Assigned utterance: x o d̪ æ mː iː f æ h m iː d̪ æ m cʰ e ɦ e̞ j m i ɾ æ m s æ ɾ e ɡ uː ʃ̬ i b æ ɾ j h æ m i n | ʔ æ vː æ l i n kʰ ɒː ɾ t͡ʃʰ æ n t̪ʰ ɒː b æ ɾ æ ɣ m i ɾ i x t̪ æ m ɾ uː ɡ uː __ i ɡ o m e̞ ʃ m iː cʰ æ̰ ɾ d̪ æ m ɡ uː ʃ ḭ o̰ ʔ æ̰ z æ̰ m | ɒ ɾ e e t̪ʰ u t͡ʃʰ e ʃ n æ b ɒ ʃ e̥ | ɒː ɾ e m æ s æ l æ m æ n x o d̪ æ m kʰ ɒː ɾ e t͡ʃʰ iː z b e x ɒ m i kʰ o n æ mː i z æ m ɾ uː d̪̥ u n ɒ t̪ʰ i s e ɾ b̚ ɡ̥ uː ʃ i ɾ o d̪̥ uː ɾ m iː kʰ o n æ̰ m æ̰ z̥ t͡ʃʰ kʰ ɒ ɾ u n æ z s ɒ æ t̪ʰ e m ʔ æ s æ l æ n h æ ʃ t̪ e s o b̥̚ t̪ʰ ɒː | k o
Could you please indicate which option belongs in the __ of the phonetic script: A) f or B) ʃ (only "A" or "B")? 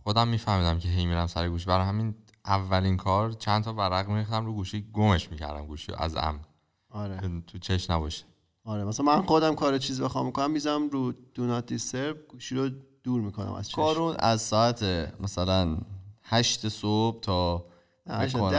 B